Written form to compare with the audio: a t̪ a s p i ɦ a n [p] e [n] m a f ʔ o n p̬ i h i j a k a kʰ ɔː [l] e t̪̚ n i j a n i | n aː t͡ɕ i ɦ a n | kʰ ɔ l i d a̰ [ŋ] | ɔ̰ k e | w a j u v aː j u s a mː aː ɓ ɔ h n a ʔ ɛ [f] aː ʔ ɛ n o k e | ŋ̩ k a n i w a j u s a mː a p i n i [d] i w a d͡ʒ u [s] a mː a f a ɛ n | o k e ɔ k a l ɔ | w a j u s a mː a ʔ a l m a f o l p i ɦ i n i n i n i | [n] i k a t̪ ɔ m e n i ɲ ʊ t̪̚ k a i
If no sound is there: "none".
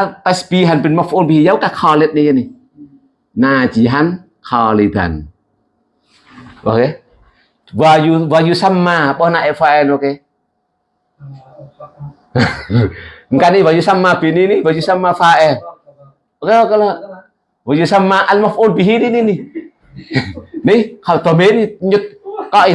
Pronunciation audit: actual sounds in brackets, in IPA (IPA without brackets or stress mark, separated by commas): p, n, l, n, f, n, s, n